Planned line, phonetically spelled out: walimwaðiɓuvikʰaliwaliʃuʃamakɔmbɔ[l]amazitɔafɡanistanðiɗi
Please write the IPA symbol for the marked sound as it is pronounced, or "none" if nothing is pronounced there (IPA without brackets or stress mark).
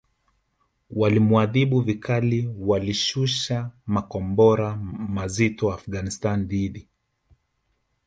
ɾ